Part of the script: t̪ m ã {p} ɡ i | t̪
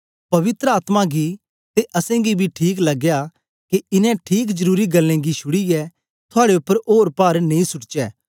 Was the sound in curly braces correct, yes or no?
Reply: no